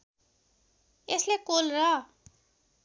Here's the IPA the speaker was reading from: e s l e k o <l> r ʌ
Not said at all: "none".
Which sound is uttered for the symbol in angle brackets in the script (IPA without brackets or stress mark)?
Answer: l